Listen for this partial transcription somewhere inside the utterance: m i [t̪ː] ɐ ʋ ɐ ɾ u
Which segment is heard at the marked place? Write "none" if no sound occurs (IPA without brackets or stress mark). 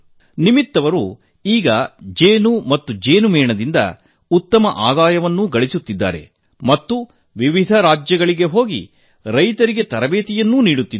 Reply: t̪ː